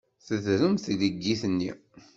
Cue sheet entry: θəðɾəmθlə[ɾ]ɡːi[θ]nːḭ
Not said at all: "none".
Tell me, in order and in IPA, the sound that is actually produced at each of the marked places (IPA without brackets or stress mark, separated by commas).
none, θ